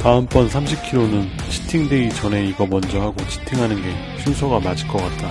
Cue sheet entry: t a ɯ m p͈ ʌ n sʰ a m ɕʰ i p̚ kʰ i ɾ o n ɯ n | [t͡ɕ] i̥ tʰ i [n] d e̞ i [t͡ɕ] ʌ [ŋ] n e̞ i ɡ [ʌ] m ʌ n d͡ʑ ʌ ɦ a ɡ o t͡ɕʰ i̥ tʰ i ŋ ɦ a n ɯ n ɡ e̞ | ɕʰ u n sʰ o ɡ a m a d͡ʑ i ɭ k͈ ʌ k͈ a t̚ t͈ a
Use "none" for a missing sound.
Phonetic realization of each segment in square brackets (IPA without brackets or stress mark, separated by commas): t͡ɕʰ, ŋ, t͡ɕ, none, ʌ